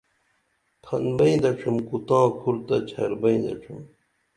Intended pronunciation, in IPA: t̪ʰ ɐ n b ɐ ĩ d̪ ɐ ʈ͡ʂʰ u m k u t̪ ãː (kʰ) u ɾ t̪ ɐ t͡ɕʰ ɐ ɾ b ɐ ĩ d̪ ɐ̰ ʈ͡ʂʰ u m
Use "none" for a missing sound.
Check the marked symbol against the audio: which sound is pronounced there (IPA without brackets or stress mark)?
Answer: kʰ